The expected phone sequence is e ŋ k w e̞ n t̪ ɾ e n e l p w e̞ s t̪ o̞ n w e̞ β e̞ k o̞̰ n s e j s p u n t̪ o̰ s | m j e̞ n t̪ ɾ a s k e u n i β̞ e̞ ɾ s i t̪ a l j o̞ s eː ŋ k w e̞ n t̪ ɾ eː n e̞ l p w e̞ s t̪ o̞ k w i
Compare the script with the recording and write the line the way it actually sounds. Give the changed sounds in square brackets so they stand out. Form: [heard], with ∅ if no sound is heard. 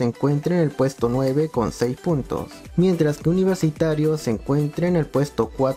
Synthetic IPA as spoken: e ŋ k w e̞ n t̪ ɾ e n e l p w e̞ s t̪ o̞ n w e̞ β e̞ k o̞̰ n s e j s p u n t̪ o̰ s | m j e̞ n t̪ ɾ a s k e u n i β̞ e̞ ɾ s i t̪ a [ɾ] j o̞ s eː ŋ k w e̞ n t̪ ɾ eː n e̞ l p w e̞ s t̪ o̞ k w [a]